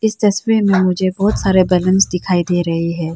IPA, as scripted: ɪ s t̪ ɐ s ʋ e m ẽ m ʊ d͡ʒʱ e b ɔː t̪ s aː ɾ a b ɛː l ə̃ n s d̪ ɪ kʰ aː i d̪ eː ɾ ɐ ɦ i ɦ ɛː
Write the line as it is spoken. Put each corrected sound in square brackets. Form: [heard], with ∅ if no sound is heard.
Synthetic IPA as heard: ɪ s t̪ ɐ s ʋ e m ẽ m ʊ d͡ʒʱ e b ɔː t̪ s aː ɾ [e] b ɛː l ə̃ n s d̪ ɪ kʰ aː i d̪ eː ɾ ɐ ɦ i ɦ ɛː